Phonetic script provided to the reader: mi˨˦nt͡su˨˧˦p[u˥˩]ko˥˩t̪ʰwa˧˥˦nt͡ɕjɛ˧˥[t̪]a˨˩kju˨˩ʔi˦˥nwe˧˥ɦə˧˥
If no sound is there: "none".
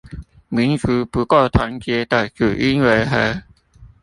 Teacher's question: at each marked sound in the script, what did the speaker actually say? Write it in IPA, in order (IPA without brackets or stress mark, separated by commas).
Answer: u˨˦, t̪